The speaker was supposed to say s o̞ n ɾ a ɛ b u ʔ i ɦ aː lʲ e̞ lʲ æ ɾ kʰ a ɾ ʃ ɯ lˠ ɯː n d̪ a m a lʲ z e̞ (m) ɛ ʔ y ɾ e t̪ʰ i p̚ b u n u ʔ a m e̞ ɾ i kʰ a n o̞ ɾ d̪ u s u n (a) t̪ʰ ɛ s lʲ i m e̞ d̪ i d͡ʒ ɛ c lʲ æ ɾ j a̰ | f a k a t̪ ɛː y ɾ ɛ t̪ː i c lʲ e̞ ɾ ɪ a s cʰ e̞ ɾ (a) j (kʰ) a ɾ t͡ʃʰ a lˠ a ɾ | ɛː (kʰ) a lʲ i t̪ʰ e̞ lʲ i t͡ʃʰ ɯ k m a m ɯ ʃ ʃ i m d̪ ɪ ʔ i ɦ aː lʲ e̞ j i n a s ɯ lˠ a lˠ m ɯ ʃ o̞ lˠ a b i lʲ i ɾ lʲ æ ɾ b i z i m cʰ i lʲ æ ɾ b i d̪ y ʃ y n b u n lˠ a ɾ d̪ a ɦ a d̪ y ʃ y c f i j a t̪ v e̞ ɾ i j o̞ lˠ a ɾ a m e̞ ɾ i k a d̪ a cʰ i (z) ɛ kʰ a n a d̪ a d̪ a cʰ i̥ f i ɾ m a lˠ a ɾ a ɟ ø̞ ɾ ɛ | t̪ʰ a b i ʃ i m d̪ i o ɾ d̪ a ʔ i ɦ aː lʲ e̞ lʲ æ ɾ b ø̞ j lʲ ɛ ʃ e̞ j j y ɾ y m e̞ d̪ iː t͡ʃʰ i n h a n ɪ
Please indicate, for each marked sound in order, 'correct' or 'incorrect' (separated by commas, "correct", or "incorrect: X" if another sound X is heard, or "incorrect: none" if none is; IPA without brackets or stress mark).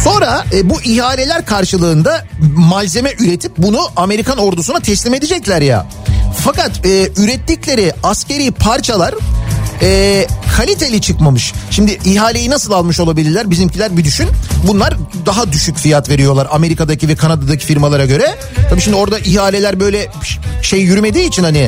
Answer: correct, correct, incorrect: i, incorrect: pʰ, correct, incorrect: v